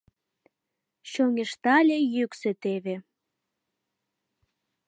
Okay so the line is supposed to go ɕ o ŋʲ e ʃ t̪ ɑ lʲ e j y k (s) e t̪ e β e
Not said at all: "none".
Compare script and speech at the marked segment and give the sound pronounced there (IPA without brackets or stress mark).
s